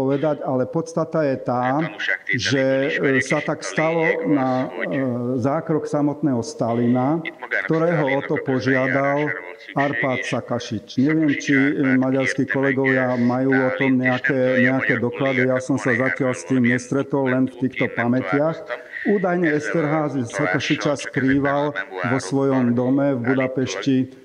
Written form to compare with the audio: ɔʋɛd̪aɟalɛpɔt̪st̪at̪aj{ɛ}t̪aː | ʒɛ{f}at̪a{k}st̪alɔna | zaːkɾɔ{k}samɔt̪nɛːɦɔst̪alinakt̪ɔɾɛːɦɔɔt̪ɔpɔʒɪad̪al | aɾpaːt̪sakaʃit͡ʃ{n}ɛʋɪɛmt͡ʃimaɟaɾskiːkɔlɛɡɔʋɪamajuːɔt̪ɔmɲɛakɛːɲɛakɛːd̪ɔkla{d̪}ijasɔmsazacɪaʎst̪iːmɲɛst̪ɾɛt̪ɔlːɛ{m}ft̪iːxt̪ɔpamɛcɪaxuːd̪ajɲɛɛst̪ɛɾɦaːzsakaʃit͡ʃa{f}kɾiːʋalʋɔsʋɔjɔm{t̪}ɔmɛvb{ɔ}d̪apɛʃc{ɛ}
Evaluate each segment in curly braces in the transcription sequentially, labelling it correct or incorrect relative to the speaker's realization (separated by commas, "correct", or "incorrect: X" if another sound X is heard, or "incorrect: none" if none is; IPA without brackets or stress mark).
correct, incorrect: s, correct, correct, incorrect: ɲ, correct, incorrect: n, incorrect: s, incorrect: d̪, incorrect: u, incorrect: i